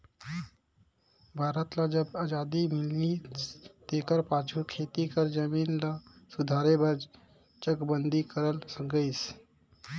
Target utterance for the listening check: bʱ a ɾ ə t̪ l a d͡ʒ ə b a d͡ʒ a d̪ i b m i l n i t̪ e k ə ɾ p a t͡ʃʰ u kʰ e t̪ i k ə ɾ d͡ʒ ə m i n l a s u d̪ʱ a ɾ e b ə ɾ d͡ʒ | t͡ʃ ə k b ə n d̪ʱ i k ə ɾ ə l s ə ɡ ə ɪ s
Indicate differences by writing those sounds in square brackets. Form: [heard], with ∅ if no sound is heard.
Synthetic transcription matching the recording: bʱ a ɾ ə t̪ l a d͡ʒ ə b a d͡ʒ a d̪ i [∅] m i l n i t̪ e k ə ɾ p a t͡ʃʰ u kʰ e t̪ i k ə ɾ d͡ʒ ə m i n l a s u d̪ʱ a ɾ e b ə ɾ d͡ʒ | t͡ʃ ə k b ə n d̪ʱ i k ə ɾ ə l s ə ɡ ə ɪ s